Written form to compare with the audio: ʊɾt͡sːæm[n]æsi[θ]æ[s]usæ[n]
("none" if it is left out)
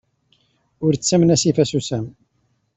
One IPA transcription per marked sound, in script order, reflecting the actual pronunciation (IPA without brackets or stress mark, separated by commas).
n, f, s, m